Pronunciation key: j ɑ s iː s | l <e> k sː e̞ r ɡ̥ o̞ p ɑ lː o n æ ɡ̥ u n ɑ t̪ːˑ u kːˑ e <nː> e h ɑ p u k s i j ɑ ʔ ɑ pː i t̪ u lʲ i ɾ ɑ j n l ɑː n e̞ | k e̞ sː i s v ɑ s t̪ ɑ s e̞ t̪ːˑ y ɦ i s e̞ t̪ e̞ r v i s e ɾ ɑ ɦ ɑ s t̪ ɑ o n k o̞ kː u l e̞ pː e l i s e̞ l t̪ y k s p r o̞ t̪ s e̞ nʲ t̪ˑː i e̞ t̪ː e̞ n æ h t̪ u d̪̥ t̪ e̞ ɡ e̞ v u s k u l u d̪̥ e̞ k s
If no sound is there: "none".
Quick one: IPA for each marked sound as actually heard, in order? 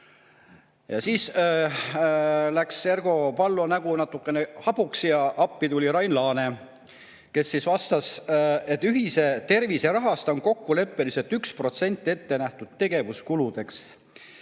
æ, n

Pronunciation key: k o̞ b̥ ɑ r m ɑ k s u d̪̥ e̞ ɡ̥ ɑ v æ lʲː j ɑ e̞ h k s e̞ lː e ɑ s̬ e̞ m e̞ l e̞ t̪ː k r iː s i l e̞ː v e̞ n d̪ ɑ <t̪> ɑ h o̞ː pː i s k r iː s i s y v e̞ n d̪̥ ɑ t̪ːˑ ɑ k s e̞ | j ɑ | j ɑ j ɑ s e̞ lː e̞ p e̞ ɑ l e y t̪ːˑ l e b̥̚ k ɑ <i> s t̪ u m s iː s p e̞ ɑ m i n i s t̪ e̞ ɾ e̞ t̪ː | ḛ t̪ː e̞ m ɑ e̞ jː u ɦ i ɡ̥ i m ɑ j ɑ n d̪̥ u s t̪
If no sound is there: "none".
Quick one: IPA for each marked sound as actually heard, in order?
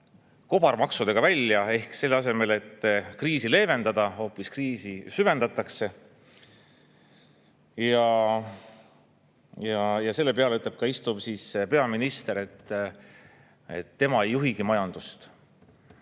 d̪, i

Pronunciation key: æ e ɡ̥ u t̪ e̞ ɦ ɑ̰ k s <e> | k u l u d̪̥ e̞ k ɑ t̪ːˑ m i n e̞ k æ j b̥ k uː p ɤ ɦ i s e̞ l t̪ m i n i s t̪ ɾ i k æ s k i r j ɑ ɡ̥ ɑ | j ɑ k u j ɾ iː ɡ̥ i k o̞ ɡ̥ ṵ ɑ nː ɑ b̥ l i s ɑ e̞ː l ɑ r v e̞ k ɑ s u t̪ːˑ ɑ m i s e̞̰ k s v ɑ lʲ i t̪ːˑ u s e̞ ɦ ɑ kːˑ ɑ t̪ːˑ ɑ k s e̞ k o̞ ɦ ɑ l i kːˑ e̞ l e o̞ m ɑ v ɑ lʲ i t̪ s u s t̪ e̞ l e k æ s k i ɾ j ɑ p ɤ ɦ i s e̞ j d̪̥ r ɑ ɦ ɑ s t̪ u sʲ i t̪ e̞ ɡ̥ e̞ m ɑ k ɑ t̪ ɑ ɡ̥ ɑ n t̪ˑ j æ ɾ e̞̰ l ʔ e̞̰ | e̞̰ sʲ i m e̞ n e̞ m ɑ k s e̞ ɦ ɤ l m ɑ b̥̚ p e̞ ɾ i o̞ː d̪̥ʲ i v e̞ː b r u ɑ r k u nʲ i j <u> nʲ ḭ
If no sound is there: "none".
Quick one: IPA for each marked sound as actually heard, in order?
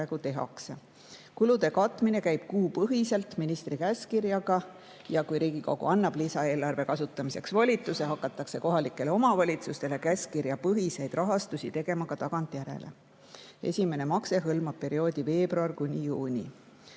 e, uː

